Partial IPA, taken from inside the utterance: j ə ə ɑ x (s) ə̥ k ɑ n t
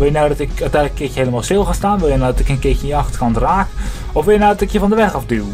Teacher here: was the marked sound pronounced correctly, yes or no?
no